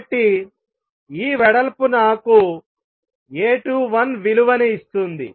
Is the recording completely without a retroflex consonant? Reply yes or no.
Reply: no